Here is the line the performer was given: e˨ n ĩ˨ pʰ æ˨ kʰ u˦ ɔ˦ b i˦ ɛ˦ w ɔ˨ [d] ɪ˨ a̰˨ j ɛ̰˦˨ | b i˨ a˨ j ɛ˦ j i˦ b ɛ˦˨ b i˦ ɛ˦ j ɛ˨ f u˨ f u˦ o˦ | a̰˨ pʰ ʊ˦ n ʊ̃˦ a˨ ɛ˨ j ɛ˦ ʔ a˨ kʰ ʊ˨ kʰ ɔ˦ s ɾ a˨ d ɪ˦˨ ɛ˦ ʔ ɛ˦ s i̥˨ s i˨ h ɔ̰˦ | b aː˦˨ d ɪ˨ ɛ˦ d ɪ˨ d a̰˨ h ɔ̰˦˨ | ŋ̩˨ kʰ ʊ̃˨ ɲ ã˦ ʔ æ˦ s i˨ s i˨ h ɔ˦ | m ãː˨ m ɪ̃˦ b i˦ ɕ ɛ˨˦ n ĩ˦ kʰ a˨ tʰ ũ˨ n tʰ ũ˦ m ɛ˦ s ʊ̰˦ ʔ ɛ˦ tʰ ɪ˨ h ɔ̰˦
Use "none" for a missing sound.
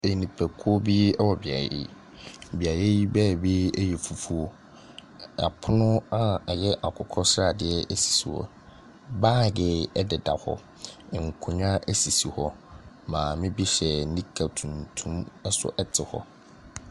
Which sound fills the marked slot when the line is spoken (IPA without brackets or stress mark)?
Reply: b